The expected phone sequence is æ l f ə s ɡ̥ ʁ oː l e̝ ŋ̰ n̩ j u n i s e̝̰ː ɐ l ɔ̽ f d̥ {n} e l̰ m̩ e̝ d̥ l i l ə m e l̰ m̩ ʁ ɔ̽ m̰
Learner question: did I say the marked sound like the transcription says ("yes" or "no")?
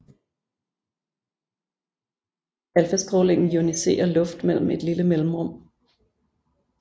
no